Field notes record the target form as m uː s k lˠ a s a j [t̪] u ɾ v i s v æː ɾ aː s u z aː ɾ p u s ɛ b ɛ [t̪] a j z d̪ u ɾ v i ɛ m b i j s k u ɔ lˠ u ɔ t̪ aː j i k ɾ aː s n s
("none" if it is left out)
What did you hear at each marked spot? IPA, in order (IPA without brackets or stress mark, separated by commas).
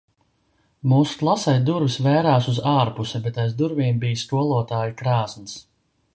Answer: d̪, t̪